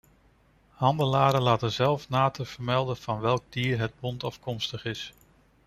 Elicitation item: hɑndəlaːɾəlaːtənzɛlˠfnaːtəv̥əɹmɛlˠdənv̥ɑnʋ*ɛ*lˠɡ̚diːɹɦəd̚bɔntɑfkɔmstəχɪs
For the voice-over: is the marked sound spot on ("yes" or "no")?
yes